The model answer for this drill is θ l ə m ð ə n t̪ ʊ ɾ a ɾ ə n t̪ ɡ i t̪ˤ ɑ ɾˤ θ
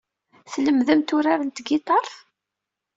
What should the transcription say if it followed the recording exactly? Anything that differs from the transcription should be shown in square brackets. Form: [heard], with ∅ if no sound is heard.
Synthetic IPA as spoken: θ l ə m ð ə [m] t̪ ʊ ɾ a ɾ ə n t̪ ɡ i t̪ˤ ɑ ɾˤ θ